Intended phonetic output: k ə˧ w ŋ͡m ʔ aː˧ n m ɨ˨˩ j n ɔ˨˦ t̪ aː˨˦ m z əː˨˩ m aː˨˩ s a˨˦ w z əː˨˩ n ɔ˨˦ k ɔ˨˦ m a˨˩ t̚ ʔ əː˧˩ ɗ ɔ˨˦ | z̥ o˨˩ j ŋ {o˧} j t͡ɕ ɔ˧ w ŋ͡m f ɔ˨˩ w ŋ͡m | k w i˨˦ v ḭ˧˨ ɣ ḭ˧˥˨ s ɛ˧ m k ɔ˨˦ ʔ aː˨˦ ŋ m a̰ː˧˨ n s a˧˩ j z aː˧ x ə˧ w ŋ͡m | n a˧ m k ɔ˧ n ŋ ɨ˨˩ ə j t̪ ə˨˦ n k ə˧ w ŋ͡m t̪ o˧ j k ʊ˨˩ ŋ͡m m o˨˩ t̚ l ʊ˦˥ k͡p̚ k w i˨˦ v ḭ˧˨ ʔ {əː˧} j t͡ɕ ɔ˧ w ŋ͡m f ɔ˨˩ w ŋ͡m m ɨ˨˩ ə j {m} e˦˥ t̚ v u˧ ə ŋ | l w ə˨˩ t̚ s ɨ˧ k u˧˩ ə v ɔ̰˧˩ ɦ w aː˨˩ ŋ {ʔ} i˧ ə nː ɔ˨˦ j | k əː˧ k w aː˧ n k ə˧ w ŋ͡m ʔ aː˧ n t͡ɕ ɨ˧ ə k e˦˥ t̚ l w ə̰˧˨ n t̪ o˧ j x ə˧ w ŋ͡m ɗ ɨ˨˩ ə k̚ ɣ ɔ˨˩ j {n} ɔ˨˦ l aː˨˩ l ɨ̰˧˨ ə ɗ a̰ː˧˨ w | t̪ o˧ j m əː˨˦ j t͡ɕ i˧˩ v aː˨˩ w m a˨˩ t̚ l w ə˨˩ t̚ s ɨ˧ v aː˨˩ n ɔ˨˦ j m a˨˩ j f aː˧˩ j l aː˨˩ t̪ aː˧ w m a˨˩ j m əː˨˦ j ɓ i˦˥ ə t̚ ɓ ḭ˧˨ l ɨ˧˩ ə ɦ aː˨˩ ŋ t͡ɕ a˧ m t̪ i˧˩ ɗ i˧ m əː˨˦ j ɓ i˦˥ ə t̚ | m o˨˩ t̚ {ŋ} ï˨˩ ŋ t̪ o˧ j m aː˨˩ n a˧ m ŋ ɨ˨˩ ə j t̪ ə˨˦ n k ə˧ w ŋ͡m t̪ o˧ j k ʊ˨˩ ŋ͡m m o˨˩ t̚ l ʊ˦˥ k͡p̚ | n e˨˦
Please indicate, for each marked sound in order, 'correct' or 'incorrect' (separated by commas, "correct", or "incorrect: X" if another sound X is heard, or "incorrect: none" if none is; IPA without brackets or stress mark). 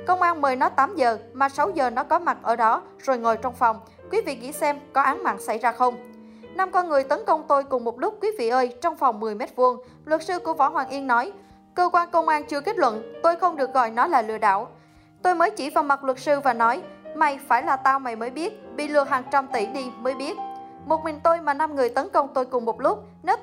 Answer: incorrect: o˨˩, correct, correct, correct, correct, incorrect: m